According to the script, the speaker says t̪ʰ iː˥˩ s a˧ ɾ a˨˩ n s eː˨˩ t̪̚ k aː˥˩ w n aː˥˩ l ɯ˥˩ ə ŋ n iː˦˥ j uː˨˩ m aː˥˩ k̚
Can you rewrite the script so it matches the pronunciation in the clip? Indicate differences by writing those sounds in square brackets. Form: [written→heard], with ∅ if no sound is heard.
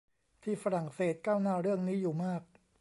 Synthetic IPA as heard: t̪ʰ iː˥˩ [s→f] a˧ ɾ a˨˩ [n→ŋ] s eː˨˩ t̪̚ k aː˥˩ w n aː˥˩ [l→ɾ] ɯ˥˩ ə ŋ n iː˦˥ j uː˨˩ m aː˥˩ k̚